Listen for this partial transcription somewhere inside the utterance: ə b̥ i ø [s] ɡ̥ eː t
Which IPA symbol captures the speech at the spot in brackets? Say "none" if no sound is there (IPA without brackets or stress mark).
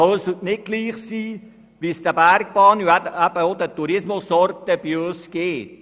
s